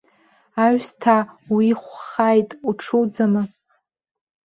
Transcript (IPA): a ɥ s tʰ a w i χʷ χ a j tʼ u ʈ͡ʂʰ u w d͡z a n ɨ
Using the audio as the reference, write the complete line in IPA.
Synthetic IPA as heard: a ɥ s tʰ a w i χʷ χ a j tʼ u ʈ͡ʂʰ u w d͡z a m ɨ